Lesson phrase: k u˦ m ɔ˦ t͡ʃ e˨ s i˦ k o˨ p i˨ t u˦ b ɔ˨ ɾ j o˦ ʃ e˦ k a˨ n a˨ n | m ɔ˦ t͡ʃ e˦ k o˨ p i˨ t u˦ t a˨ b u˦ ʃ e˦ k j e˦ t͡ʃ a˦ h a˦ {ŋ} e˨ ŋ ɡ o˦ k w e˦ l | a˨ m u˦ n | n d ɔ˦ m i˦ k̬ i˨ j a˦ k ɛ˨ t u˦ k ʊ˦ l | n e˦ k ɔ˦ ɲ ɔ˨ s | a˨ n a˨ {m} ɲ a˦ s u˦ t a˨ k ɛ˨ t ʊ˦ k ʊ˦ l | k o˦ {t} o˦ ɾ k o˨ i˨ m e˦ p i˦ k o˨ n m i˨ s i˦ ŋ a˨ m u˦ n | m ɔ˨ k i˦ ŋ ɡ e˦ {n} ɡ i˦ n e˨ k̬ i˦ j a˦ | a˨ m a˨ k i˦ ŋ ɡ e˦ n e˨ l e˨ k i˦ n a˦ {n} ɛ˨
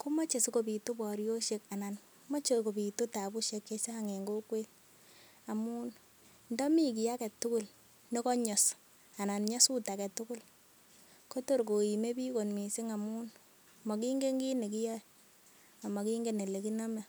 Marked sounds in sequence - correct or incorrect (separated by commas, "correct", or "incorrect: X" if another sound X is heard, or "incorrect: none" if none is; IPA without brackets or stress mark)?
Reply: correct, incorrect: n, correct, incorrect: ŋ, incorrect: m